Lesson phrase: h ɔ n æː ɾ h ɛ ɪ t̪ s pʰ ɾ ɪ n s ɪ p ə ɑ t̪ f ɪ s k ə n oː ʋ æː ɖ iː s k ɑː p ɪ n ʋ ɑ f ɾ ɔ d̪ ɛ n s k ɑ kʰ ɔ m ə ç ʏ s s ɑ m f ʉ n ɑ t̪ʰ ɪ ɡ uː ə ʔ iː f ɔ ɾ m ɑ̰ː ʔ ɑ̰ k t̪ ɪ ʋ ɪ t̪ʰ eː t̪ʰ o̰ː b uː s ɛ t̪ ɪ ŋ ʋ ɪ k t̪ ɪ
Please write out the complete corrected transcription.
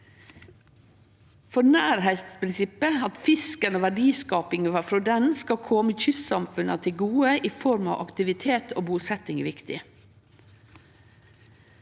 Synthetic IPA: f ɔ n æː ɾ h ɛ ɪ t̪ s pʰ ɾ ɪ n s ɪ p ə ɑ t̪ f ɪ s k ə n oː ʋ æ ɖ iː s k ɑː p ɪ ŋ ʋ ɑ f ɾ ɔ d̪ ɛ n s k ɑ kʰ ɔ m ə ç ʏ s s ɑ m f ʉ n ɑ t̪ʰ ɪ ɡ uː ə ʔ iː f ɔ ɾ m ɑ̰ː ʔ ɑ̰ k t̪ ɪ ʋ ɪ t̪ʰ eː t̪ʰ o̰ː b uː s ɛ t̪ ɪ ŋ ʋ ɪ k t̪ ɪ